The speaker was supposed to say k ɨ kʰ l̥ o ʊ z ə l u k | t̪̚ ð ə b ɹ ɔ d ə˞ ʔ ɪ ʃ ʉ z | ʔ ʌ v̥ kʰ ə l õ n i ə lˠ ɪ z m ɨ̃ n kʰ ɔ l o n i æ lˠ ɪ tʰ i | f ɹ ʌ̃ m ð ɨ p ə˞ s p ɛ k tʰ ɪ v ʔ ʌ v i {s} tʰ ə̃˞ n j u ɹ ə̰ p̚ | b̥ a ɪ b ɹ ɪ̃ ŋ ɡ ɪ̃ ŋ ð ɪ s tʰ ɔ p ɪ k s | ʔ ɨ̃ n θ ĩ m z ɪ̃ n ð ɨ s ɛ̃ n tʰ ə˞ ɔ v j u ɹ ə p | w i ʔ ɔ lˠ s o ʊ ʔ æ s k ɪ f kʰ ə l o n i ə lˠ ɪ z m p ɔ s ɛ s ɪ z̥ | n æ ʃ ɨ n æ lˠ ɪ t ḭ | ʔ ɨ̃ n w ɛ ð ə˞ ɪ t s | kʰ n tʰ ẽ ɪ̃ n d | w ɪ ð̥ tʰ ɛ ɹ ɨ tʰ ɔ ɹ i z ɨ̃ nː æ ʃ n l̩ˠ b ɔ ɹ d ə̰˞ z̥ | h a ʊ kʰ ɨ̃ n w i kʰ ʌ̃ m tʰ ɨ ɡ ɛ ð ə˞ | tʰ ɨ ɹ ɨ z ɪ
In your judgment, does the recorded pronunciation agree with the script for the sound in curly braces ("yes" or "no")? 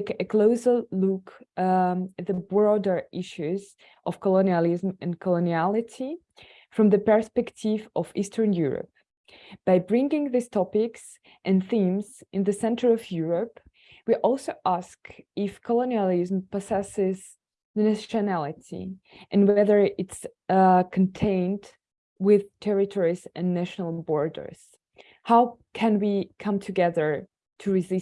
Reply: yes